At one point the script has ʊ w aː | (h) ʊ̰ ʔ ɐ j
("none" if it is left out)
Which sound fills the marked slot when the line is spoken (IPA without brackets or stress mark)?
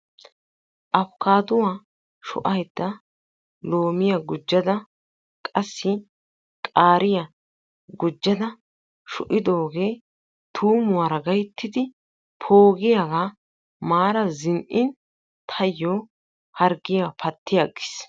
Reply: ʃ